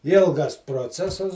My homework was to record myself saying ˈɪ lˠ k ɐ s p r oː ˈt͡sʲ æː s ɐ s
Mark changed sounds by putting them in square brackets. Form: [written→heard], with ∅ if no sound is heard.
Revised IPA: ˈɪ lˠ [k→ɡ] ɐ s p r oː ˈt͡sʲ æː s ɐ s